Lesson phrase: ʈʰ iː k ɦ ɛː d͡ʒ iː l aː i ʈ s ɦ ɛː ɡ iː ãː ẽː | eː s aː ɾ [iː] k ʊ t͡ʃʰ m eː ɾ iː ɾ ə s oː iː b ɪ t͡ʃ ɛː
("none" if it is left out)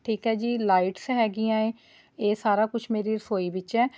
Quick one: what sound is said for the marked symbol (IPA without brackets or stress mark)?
aː